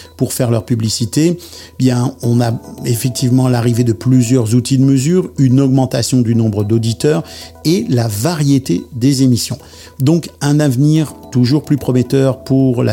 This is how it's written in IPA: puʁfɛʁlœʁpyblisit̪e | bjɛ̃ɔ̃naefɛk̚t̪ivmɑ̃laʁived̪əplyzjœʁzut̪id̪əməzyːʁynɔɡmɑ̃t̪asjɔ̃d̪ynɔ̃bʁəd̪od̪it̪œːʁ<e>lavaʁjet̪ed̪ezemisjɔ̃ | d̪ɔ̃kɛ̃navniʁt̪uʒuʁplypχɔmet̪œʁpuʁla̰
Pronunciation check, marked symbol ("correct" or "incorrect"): correct